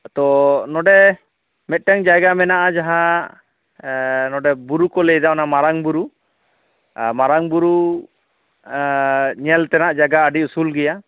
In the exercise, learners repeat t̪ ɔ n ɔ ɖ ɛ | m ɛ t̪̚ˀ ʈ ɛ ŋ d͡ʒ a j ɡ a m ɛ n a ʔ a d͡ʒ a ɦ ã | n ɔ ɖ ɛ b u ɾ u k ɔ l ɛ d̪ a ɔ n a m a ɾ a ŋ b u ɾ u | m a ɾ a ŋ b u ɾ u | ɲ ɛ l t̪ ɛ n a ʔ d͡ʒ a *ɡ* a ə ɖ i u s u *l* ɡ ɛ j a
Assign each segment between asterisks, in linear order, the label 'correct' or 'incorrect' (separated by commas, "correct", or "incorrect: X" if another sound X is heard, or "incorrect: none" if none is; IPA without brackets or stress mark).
correct, correct